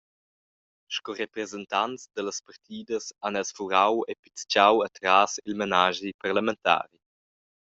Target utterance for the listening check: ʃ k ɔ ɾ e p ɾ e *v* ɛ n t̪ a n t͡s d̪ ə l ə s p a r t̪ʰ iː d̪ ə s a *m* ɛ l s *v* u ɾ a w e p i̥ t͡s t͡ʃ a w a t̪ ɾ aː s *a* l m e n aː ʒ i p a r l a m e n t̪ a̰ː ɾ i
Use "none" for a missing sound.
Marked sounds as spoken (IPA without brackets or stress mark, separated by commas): z, n, f, i